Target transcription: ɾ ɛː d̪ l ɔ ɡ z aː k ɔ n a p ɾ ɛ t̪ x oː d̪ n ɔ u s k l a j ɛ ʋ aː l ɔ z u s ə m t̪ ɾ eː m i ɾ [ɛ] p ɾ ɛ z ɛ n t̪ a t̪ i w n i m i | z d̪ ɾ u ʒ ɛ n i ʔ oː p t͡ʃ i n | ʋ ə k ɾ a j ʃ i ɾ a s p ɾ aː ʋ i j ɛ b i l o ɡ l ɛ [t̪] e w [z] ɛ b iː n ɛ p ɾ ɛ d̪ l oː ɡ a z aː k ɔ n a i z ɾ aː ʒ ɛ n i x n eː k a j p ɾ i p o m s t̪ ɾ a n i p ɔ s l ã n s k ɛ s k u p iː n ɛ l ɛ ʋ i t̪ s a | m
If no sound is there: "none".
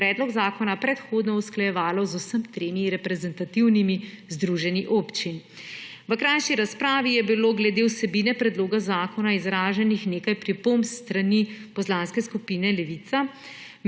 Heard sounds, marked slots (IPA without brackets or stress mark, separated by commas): ɛ, d̪, s